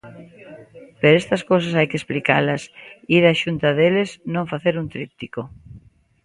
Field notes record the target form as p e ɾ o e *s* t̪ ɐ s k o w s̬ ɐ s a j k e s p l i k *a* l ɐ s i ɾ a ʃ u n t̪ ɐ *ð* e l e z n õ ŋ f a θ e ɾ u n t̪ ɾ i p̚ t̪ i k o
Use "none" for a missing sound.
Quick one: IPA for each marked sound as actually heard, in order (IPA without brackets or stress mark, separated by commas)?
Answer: s, a, ð